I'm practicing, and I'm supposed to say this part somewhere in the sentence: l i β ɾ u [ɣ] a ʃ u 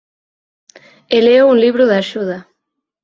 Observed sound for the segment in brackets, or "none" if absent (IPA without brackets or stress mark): ð